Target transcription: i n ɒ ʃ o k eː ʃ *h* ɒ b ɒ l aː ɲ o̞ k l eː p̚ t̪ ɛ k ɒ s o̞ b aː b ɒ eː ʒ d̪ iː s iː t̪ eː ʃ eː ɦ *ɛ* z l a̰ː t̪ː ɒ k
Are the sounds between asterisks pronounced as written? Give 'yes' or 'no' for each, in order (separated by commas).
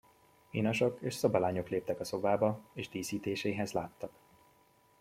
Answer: no, yes